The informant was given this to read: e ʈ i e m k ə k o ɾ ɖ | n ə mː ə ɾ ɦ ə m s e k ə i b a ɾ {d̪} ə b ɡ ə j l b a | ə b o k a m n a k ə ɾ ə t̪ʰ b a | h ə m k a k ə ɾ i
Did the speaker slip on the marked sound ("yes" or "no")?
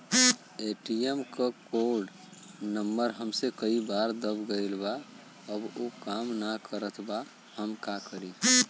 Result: no